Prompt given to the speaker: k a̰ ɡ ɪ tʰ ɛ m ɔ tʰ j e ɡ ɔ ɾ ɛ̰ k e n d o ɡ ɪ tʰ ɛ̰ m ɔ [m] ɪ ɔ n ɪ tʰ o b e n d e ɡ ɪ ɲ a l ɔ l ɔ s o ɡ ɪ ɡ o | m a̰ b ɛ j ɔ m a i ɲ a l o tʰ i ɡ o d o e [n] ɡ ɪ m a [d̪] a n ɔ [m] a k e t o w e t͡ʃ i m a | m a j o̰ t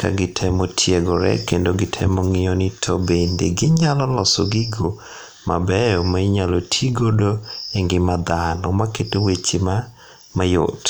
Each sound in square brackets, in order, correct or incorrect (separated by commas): incorrect, incorrect, correct, correct